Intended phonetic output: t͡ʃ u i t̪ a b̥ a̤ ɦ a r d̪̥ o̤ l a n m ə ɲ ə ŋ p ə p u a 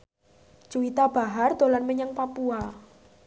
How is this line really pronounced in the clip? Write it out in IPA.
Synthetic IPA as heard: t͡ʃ u i t̪ a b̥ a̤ ɦ a r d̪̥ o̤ l a n m ə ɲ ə ŋ p a p u a